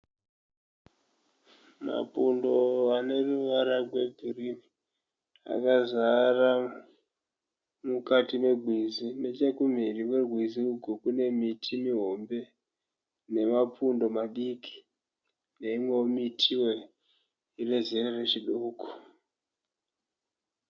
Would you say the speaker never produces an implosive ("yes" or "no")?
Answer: no